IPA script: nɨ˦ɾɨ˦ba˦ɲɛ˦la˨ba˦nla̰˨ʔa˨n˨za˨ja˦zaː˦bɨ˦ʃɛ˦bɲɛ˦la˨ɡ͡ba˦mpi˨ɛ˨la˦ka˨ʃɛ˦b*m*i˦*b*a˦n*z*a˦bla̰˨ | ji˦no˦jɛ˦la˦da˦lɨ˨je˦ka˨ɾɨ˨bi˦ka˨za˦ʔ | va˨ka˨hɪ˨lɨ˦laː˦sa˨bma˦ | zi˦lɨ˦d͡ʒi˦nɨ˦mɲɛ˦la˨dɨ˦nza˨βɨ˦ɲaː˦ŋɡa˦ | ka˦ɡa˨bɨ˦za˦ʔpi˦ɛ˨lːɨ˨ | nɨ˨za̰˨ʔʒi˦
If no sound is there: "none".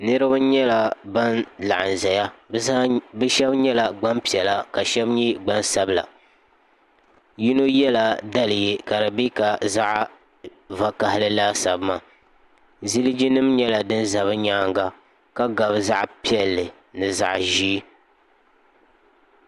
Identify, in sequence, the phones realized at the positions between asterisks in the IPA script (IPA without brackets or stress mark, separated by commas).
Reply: ɲ, ɡ͡b, s